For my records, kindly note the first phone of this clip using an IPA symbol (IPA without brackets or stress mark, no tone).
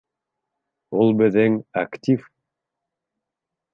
u